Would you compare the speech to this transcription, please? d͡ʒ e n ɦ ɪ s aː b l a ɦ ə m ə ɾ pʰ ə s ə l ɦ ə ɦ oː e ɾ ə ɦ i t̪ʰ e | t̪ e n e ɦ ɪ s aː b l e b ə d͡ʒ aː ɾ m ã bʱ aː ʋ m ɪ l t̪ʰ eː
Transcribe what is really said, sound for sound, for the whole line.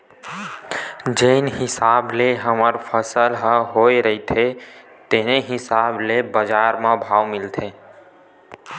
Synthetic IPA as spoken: d͡ʒ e n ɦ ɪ s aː b l e ɦ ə m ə ɾ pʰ ə s ə l ɦ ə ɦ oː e ɾ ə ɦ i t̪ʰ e | t̪ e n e ɦ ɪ s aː b l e b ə d͡ʒ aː ɾ m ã bʱ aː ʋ m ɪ l t̪ʰ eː